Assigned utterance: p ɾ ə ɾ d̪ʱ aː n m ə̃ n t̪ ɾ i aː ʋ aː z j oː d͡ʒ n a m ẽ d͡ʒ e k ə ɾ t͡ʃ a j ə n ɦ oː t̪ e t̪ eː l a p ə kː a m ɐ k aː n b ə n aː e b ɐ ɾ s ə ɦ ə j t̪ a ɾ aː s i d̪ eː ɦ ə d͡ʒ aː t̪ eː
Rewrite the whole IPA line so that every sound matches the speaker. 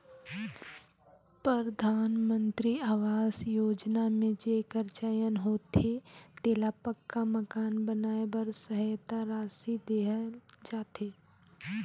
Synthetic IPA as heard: p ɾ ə ɾ d̪ʱ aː n m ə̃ n t̪ ɾ i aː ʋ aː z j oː d͡ʒ n a m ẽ d͡ʒ e k ə ɾ t͡ʃ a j ə n ɦ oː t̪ e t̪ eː l a p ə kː a m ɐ k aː n b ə n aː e b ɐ ɾ s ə ɦ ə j t̪ a ɾ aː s i d̪ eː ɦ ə d͡ʒ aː t̪ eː